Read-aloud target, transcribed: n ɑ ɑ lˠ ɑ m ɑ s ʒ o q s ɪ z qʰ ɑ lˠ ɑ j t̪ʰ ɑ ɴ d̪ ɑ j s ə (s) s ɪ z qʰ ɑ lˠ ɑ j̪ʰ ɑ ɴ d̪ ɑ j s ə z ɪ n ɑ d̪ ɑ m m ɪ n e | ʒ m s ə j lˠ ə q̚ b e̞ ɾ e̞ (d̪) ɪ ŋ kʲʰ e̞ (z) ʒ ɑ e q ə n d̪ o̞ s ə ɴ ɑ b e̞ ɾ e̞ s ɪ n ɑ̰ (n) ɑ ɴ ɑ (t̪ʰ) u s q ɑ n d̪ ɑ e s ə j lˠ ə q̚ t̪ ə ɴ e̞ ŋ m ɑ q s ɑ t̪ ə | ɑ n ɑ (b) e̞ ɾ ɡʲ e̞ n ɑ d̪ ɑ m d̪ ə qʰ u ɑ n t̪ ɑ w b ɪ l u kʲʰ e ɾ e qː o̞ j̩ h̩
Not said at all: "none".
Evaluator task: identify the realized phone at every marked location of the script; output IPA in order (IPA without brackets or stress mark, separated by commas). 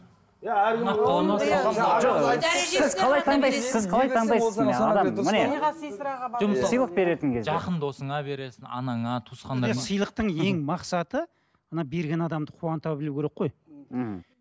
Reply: z, t̪, z, n, t̪ʰ, b